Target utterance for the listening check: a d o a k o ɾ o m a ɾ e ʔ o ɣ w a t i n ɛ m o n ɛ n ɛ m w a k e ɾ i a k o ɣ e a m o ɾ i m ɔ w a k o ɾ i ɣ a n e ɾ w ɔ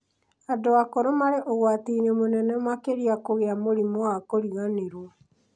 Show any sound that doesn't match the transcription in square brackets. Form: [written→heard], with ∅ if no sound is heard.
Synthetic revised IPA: a d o a k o ɾ o m a ɾ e ʔ o ɣ w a t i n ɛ m o n ɛ n ɛ m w a k e ɾ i a k o ɣ e a m o ɾ i m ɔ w a k o ɾ i ɣ a n e ɾ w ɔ